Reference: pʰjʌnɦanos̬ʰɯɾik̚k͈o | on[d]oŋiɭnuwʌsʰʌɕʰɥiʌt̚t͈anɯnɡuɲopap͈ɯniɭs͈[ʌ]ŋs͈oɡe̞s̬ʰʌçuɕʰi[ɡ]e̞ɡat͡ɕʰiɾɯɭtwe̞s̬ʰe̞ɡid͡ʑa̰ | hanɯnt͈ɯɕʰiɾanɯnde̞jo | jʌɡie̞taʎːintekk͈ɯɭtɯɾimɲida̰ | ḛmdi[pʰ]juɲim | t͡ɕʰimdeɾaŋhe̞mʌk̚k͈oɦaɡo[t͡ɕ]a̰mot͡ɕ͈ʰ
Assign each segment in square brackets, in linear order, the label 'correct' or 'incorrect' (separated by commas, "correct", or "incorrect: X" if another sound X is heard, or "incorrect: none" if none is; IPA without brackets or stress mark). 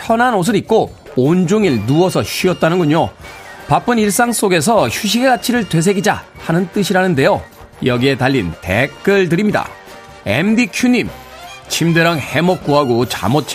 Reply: incorrect: d͡ʑ, incorrect: a, correct, incorrect: kʰ, correct